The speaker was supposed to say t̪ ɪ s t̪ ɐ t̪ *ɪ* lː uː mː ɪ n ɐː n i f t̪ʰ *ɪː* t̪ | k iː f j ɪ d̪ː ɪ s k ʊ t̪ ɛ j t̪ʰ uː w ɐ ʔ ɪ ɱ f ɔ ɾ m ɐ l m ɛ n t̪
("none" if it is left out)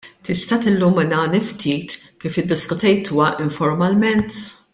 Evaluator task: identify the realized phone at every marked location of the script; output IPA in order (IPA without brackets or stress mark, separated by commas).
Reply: ɪ, iː